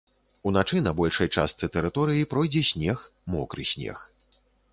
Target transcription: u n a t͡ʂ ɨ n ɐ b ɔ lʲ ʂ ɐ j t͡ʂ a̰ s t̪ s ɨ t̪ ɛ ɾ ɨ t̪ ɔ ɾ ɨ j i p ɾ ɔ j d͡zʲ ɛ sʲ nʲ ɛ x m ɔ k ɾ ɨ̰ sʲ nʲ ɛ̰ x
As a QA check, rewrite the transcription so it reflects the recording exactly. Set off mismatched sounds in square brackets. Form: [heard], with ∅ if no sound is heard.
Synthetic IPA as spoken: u n a t͡ʂ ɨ n ɐ b ɔ lʲ ʂ ɐ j t͡ʂ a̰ s t̪ s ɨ t̪ ɛ ɾ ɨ t̪ ɔ ɾ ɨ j i p ɾ ɔ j d͡zʲ ɛ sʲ nʲ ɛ x m ɔ k ɾ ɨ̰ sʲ nʲ ɛ̰ x